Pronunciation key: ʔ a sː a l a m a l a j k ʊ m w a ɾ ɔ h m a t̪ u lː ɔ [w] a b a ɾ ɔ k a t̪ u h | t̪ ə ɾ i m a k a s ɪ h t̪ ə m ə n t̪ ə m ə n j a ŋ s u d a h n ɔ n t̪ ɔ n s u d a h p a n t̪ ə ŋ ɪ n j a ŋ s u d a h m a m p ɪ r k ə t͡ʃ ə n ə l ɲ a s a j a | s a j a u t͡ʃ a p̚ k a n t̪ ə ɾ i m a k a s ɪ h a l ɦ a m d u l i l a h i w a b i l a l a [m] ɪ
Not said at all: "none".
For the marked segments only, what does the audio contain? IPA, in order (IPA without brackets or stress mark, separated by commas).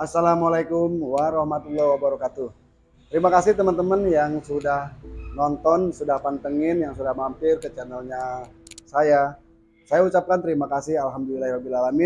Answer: w, m